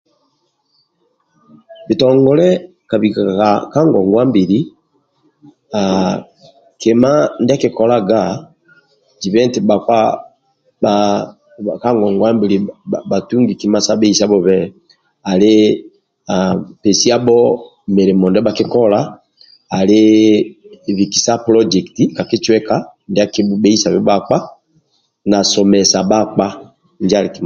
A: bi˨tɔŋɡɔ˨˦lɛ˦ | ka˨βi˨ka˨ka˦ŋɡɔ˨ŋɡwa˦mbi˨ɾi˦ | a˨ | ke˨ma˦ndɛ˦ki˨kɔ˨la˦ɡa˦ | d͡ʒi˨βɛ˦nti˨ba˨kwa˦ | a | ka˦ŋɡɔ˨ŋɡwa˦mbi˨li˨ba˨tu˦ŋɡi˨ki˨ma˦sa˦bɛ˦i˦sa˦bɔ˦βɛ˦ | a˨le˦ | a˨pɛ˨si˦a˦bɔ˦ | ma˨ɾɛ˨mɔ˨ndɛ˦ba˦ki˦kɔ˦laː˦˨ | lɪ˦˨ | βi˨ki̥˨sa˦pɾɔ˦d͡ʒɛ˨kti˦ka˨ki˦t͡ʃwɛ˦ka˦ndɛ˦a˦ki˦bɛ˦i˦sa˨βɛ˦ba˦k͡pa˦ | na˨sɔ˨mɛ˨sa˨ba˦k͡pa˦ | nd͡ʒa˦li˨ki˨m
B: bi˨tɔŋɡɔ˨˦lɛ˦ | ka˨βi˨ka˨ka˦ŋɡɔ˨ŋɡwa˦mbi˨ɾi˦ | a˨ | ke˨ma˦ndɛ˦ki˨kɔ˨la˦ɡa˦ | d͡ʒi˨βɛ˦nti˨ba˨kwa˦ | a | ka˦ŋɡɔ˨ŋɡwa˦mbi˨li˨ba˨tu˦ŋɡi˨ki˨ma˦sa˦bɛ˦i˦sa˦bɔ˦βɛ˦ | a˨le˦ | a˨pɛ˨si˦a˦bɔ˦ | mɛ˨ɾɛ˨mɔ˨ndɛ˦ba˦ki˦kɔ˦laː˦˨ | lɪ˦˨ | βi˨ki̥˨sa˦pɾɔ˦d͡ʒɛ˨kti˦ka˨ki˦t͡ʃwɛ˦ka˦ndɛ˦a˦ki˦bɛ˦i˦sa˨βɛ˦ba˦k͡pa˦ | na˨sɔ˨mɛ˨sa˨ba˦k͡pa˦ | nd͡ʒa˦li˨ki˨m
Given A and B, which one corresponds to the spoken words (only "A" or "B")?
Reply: B